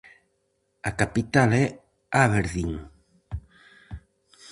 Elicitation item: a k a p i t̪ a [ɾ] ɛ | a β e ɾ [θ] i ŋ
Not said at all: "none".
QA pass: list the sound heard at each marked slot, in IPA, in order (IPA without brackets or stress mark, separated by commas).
l, ð